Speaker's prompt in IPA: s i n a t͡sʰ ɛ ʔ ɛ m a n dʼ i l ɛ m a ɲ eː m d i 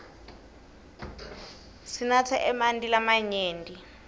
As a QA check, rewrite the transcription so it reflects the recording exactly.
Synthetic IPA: s i n a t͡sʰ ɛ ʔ ɛ m a n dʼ i l a m a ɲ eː n d i